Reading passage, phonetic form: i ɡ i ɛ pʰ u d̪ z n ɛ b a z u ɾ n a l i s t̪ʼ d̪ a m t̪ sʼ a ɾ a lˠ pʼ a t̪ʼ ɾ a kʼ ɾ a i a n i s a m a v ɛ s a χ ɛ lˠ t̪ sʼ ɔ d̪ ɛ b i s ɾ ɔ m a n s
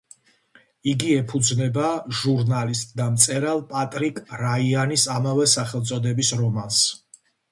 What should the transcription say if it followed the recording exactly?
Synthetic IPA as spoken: i ɡ i ɛ pʰ u d̪ z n ɛ b a ʒ u ɾ n a l i s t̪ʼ d̪ a m t̪ sʼ ɛ ɾ a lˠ pʼ a t̪ʼ ɾ i kʼ ɾ a i a n i s a m a v ɛ s a χ ɛ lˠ t̪ sʼ ɔ d̪ ɛ b i s ɾ ɔ m a n s